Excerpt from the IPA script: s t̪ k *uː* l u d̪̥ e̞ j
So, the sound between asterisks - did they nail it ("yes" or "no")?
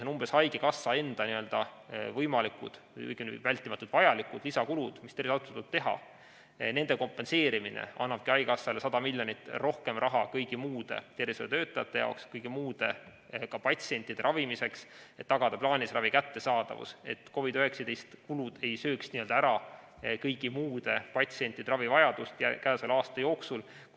no